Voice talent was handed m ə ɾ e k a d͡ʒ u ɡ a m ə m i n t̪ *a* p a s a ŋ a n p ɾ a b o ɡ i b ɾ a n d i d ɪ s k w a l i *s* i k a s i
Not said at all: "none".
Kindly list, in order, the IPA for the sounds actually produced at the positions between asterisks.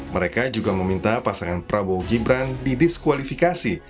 a, f

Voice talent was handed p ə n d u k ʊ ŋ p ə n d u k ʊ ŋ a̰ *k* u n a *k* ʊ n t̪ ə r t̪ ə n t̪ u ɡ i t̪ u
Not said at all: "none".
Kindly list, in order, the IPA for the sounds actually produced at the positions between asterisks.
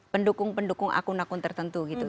k, k

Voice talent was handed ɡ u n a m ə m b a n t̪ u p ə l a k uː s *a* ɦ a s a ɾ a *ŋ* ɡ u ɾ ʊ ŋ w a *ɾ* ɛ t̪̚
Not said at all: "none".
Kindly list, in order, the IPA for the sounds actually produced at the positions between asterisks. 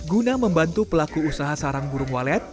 a, ŋ, l

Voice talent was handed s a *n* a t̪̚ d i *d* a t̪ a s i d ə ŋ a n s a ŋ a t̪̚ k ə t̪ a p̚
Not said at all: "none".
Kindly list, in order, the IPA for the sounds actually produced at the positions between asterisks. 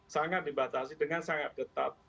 ŋ, b

